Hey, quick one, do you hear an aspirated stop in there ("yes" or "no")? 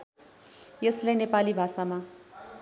no